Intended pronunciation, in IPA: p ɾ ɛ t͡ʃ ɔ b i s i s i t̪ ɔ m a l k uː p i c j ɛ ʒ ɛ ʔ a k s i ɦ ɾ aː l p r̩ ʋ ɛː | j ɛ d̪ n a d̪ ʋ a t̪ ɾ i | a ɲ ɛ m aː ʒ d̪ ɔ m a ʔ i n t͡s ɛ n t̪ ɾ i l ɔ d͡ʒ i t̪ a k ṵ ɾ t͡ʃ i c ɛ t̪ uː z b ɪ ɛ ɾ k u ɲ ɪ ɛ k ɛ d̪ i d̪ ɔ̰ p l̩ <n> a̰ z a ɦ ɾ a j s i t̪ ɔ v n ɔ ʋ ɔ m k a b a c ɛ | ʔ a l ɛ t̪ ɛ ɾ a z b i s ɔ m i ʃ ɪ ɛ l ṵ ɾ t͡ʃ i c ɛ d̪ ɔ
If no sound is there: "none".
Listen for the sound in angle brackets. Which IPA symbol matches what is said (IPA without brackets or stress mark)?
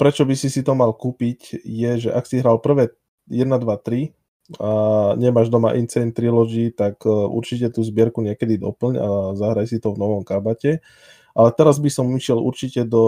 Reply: ɲ